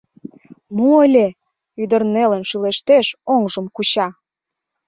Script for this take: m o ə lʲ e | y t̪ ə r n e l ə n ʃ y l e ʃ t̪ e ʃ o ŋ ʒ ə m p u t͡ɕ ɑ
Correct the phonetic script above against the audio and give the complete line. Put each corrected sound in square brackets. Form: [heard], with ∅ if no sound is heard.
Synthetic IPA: m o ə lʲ e | y [d̪] ə r n e l ə n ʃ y l e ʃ t̪ e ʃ o ŋ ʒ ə m [k] u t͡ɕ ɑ

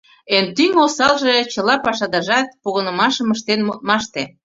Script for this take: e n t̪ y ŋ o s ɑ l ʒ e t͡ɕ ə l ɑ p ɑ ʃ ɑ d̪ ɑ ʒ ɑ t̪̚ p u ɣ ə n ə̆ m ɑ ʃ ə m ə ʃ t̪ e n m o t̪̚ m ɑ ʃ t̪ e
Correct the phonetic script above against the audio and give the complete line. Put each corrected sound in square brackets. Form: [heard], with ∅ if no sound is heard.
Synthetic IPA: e n t̪ y ŋ o s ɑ l ʒ e t͡ɕ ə l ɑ p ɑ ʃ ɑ d̪ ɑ ʒ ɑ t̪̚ p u ɣ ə n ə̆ m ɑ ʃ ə m ə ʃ t̪ e n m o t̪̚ m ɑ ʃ t̪ e

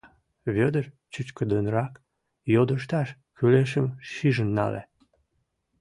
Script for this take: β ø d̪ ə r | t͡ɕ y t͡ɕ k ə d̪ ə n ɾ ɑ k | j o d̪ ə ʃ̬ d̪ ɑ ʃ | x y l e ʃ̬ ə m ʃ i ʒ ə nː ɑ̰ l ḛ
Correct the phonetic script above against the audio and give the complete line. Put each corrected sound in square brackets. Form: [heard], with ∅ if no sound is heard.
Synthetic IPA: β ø d̪ ə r | t͡ɕ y t͡ɕ k ə d̪ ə n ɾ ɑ k | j o d̪ ə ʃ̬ [t̪] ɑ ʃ | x y l e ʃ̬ ə m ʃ i ʒ ə nː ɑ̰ l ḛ

